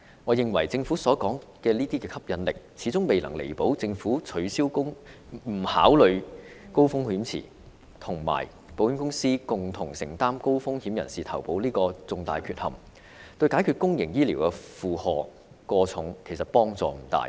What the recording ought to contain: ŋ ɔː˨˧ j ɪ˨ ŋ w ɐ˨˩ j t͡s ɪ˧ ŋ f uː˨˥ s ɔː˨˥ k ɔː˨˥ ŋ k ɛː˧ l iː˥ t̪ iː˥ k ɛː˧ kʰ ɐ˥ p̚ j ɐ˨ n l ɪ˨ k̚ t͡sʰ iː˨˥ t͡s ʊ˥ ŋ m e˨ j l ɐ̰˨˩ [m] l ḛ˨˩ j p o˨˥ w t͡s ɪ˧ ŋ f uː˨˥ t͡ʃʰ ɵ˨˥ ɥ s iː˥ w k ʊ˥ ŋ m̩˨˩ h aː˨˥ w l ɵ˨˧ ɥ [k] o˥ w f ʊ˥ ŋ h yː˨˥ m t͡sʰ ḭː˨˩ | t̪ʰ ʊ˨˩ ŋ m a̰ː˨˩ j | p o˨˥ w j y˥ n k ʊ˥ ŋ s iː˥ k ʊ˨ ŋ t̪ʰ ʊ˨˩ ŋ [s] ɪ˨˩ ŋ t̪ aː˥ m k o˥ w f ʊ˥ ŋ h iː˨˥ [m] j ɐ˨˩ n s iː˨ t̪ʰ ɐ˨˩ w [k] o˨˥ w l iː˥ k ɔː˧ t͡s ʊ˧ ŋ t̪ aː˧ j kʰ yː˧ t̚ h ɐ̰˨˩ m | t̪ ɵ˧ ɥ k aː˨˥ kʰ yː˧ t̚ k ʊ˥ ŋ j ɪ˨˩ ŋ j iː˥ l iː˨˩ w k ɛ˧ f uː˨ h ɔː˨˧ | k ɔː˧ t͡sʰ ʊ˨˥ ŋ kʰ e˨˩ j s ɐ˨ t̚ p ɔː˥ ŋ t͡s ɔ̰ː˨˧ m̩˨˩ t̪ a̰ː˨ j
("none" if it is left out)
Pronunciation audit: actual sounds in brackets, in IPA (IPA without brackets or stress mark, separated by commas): ŋ, k, s, m, p